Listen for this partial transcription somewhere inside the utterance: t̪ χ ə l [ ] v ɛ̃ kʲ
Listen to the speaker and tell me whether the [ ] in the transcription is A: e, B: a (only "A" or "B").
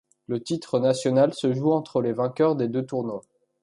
A